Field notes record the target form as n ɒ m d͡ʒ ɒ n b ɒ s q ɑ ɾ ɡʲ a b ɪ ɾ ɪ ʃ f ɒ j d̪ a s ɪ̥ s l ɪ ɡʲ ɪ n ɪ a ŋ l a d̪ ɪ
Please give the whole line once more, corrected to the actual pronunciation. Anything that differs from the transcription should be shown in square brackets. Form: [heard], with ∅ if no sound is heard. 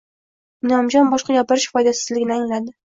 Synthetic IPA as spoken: n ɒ m d͡ʒ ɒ n b ɒ [ʃ] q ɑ [∅] ɡʲ a [p] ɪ ɾ ɪ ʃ f ɒ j d̪ a s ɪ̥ [z] l ɪ ɡʲ ɪ n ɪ a ŋ l a d̪ ɪ